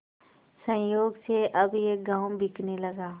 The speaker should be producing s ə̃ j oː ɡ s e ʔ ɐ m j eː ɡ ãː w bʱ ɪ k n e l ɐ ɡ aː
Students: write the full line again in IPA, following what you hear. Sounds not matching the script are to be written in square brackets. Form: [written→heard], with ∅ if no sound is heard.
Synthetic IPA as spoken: s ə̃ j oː ɡ s e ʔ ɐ [m→b] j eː ɡ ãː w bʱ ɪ k n e l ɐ ɡ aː